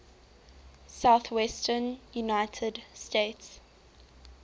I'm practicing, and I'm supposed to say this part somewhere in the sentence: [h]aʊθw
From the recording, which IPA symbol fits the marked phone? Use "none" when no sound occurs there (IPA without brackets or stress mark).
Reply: s